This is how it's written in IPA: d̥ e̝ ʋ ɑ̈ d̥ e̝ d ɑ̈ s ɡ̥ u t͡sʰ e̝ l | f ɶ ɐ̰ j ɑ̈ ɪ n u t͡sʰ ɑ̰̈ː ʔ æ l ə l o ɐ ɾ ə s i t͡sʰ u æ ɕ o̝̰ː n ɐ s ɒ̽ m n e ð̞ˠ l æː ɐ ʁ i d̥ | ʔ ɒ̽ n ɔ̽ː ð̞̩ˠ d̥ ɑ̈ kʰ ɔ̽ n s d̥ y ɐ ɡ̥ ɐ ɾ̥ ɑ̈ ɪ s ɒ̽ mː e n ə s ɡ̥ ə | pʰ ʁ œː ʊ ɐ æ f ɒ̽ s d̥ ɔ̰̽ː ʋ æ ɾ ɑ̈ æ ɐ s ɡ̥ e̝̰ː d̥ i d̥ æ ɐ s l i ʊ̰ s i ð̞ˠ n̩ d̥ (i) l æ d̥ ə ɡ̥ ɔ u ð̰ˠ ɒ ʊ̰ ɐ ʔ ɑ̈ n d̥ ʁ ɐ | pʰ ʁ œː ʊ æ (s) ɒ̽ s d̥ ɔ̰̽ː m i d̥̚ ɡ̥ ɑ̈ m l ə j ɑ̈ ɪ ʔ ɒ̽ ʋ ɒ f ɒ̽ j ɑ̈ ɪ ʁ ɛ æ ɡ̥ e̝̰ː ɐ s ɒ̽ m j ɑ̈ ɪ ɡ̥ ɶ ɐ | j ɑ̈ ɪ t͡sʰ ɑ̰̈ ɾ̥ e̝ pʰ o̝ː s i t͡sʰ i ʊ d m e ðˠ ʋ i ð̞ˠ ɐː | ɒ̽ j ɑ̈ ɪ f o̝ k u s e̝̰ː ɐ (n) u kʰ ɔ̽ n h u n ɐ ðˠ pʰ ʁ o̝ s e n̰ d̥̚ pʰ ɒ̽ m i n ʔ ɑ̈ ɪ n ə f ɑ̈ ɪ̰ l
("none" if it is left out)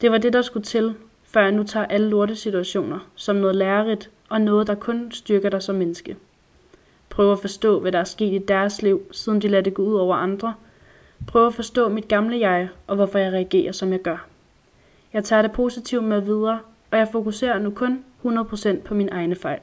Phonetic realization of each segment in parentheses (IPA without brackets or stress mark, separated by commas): i, f, n